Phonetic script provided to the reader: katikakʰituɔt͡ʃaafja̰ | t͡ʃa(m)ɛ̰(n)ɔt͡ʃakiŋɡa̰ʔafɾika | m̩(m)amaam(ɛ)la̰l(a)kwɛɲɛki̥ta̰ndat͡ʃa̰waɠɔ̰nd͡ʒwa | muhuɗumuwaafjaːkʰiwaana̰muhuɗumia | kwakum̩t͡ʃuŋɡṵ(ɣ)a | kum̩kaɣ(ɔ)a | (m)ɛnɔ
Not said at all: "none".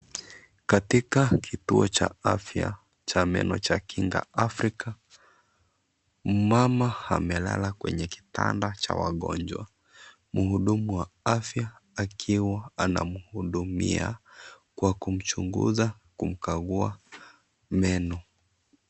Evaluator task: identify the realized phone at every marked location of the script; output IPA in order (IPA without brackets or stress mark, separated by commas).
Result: m, n, m, ɛ, a, z, u, m